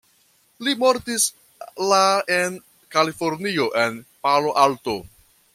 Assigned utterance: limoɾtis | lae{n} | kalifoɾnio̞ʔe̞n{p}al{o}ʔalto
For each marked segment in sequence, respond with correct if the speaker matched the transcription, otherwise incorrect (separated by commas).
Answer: correct, correct, correct